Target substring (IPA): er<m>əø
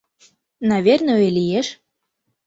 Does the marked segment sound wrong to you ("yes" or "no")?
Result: yes